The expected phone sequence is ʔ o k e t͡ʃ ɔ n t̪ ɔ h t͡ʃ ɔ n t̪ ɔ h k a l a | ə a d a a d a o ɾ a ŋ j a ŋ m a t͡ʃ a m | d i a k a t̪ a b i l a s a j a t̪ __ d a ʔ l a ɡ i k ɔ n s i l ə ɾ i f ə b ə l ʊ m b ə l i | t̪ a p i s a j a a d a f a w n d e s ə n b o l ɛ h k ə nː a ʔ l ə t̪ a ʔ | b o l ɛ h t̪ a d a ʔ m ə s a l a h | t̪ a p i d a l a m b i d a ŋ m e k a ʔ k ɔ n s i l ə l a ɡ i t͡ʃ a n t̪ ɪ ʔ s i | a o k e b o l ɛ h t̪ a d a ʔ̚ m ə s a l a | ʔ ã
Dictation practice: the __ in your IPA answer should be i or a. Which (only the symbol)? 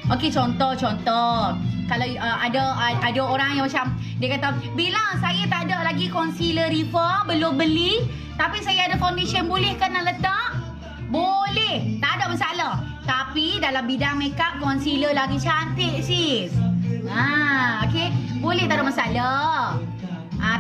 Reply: a